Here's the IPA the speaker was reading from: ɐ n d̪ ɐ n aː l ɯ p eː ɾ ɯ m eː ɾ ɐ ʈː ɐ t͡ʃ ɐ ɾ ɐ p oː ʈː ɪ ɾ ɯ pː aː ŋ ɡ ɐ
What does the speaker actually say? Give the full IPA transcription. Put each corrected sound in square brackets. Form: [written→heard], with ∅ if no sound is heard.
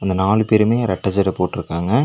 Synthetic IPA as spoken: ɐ n d̪ ɐ n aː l ɯ p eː ɾ ɯ m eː ɾ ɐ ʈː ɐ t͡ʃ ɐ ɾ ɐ p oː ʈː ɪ ɾ ɯ [pː→kː] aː ŋ ɡ ɐ